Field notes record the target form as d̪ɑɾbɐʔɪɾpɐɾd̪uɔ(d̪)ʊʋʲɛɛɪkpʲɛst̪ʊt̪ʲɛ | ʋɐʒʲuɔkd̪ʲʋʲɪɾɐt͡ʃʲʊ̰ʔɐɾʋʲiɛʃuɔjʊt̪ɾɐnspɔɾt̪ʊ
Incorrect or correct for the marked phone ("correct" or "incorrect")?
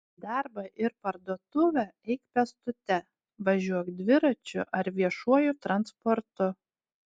incorrect